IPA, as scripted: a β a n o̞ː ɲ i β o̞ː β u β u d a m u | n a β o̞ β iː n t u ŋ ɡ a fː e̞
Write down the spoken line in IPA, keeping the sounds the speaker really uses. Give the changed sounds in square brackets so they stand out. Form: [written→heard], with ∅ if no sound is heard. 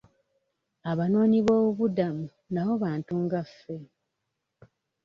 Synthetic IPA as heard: a β a n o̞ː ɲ i β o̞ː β u β u d a m u | n a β o̞ β [iː→aː] n t u ŋ ɡ a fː e̞